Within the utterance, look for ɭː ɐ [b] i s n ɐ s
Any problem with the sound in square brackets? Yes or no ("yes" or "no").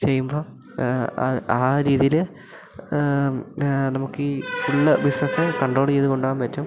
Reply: no